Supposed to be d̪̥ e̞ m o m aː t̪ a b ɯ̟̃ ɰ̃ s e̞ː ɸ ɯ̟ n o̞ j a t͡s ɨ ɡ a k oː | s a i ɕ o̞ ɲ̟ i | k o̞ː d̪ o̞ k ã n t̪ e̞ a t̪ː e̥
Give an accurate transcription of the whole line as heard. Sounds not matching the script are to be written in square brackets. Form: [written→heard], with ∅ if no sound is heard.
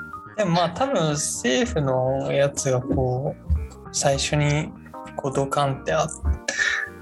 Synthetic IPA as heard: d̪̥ e̞ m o m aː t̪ a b ɯ̟̃ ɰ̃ s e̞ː ɸ ɯ̟ n o̞ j a t͡s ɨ ɡ a k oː | s a i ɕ o̞ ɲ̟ i | k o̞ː d̪ o̞ k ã n t̪ e̞ a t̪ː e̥